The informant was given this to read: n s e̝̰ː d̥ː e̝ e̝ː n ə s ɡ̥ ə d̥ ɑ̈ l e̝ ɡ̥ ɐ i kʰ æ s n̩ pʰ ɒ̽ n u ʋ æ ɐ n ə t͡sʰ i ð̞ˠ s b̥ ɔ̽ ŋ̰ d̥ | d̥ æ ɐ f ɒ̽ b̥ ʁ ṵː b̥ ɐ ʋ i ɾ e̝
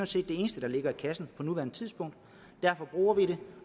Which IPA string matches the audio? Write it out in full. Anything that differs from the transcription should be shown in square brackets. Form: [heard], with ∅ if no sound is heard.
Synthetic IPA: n s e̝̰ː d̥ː e̝ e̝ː n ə s [d̥] ə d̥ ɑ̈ l e̝ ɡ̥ ɐ i kʰ æ s n̩ pʰ ɒ̽ n u ʋ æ ɐ n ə t͡sʰ i ð̞ˠ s b̥ ɔ̽ ŋ̰ d̥ | d̥ æ ɐ f ɒ̽ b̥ ʁ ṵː [∅] ɐ ʋ i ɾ e̝